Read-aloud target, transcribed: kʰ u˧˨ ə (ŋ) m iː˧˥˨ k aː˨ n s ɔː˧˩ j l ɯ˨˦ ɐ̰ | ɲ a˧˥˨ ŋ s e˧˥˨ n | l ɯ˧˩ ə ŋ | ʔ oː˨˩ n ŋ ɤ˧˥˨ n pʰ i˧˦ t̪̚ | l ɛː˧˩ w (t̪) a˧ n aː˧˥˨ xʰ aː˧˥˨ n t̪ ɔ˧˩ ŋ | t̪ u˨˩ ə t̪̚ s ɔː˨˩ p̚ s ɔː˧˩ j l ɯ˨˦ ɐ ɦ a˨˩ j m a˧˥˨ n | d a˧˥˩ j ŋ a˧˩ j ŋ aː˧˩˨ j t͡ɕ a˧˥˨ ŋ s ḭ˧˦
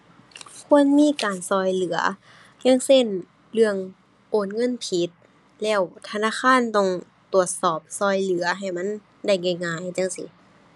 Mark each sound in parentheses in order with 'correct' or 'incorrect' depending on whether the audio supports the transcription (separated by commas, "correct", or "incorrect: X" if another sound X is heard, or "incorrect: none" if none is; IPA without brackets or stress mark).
incorrect: n, incorrect: t̪ʰ